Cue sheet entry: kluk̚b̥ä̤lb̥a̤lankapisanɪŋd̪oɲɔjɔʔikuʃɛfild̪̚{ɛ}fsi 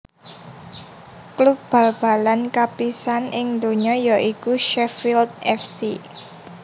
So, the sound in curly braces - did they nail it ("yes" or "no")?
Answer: yes